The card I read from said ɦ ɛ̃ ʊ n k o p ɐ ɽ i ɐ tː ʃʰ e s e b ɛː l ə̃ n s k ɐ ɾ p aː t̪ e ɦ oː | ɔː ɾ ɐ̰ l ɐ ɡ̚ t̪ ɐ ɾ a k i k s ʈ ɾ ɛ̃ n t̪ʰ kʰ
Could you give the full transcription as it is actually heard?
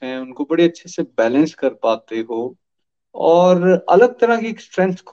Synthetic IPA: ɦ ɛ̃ ʊ n k o b ɐ ɽ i ɐ tː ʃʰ e s e b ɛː l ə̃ n s k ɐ ɾ p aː t̪ e ɦ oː | ɔː ɾ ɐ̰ l ə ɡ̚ t̪ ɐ ɾ a k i k s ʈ ɾ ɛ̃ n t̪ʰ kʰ